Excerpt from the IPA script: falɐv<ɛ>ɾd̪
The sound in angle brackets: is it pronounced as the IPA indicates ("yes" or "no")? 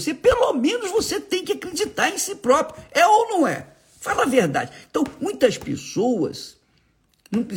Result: no